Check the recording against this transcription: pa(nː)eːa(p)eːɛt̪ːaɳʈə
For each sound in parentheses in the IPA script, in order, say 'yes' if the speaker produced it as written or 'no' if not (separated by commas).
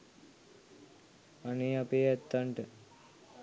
no, yes